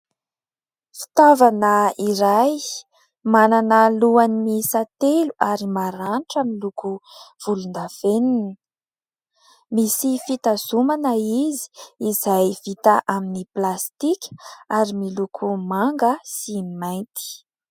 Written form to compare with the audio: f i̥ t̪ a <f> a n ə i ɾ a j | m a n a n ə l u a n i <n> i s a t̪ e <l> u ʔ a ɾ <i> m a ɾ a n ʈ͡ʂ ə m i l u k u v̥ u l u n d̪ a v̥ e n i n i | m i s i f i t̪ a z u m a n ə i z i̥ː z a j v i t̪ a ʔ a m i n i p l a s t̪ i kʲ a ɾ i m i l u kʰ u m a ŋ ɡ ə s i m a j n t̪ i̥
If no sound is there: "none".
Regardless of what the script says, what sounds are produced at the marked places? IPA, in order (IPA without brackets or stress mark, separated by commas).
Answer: v, m, l, i